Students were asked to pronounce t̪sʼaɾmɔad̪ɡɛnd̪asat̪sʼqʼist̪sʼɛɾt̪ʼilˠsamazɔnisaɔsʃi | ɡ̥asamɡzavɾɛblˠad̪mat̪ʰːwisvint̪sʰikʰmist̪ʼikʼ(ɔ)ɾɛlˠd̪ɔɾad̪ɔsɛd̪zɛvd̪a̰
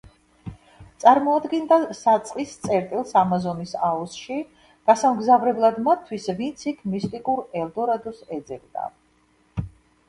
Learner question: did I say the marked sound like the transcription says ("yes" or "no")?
no